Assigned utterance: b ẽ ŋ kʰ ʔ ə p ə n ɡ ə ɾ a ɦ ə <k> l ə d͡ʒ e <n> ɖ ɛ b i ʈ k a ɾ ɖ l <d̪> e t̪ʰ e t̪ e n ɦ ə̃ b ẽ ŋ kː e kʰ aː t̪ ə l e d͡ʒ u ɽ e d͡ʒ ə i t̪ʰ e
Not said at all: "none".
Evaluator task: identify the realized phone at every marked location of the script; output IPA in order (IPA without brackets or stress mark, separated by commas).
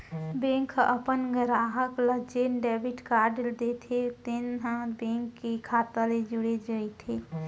k, n, d̪